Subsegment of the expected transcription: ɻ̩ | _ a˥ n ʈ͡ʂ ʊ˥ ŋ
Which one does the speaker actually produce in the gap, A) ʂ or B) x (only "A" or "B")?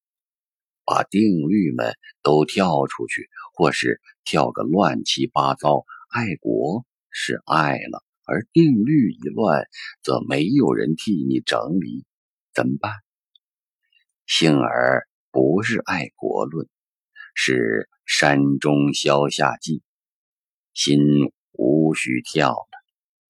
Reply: A